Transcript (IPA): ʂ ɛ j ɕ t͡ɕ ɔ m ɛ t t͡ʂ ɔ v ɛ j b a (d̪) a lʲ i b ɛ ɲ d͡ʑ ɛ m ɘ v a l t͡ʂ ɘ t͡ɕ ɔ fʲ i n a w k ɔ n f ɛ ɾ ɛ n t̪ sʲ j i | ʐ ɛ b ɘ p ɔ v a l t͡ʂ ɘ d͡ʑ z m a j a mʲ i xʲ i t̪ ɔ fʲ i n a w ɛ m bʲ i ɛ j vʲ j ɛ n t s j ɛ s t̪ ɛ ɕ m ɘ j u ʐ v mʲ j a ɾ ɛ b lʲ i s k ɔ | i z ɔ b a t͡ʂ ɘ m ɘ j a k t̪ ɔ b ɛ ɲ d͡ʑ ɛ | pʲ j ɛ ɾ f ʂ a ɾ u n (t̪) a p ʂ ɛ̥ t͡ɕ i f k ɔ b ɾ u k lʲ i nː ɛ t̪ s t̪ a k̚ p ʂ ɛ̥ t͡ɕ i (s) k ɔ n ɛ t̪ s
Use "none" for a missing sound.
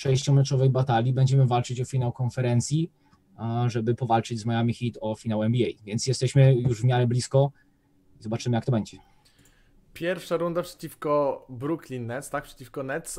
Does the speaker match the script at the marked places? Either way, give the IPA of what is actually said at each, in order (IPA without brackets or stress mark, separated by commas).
t̪, d̪, f